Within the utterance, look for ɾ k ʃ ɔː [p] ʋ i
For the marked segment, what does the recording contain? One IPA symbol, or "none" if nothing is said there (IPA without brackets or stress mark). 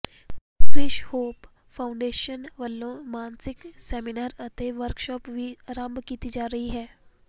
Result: p